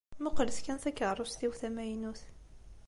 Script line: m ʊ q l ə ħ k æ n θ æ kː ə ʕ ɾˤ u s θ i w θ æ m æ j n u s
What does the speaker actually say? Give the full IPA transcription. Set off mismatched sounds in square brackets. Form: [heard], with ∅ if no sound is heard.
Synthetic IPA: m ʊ q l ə [s] k æ n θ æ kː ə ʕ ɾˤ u s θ i w θ æ m æ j n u [θ]